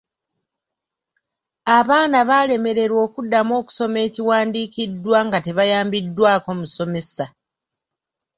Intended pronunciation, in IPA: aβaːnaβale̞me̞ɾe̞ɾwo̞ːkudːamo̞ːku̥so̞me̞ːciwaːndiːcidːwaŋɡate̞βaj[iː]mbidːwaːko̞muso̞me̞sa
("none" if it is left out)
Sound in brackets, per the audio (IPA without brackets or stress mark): aː